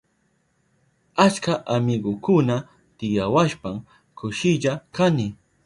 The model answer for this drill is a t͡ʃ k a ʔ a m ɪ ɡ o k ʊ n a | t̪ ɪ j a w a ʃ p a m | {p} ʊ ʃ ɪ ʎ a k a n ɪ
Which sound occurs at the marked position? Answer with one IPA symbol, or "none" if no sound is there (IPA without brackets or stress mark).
k